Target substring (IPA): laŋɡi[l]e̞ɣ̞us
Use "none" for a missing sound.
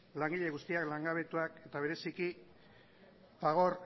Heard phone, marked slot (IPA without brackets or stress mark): ʎ